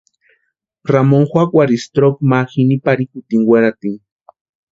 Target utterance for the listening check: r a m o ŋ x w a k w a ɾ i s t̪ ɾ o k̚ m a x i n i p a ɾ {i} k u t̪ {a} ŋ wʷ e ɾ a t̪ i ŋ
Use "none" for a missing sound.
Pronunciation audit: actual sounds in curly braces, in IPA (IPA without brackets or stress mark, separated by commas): i, i